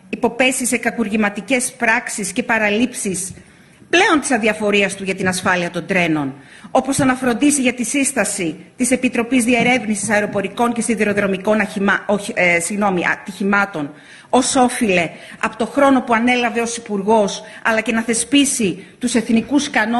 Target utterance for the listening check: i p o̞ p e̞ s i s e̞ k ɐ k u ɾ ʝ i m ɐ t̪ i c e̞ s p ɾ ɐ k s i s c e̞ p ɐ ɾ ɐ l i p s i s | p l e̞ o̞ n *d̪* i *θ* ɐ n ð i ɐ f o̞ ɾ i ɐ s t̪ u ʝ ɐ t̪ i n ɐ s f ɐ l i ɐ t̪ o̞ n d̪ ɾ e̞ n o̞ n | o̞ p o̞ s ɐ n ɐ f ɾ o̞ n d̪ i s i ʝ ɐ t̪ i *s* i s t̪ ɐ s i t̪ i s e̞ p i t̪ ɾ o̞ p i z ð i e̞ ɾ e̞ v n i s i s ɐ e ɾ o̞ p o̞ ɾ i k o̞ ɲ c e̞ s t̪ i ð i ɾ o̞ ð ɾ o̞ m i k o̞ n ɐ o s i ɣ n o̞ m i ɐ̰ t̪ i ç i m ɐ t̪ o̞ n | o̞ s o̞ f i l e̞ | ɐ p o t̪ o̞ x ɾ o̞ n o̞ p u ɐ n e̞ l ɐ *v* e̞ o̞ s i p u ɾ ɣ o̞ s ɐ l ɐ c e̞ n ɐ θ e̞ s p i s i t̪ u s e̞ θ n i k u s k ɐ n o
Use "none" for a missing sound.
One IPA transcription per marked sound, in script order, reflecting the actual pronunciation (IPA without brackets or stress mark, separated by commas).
t̪, s, s, v